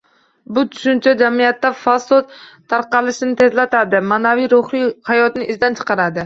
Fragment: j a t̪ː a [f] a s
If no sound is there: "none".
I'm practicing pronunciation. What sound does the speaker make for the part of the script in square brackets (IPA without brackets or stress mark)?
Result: f